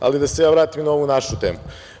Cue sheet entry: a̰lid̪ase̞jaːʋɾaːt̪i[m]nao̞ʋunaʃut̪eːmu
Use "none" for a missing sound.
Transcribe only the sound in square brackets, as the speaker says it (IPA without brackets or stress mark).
m